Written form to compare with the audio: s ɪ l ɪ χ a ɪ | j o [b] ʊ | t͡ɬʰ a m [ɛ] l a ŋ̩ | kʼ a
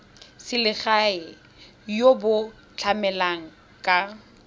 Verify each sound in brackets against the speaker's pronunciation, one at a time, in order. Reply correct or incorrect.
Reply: correct, correct

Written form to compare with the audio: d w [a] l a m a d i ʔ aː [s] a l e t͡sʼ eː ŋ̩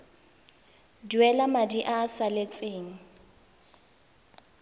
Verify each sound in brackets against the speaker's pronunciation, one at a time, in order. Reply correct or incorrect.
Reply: incorrect: ɛ, correct

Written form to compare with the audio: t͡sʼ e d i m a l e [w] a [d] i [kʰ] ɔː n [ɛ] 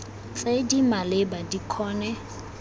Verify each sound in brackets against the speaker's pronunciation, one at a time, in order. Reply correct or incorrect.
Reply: incorrect: b, correct, correct, correct

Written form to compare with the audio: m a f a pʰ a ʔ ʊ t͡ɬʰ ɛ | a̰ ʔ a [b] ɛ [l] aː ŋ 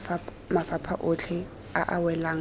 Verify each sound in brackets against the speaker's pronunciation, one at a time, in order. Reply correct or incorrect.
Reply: incorrect: w, correct

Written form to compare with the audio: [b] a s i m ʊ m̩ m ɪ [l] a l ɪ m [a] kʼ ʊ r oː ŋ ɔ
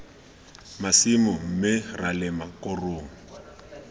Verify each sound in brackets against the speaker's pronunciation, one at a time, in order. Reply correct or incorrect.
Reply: incorrect: m, incorrect: r, correct

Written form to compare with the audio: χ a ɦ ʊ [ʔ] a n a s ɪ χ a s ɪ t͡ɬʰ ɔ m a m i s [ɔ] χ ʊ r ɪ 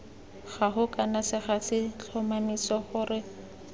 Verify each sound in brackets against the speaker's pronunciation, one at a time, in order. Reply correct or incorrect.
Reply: incorrect: k, correct

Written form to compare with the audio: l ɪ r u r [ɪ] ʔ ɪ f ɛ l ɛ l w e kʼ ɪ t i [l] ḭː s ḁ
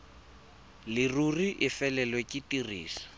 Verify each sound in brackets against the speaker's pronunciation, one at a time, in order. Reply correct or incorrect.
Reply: incorrect: i, incorrect: r

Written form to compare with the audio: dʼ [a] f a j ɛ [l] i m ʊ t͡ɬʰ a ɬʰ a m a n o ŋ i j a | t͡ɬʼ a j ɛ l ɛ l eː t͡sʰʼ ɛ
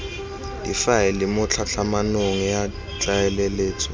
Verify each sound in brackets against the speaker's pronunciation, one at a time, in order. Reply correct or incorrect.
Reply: incorrect: i, correct

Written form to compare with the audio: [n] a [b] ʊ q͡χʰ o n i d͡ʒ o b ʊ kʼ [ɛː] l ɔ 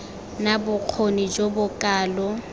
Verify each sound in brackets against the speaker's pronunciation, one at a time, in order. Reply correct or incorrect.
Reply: correct, correct, incorrect: aː

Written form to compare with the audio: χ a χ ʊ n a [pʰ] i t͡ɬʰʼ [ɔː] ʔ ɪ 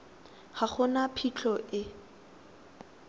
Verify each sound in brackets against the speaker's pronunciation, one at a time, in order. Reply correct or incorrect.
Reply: correct, incorrect: ɔ

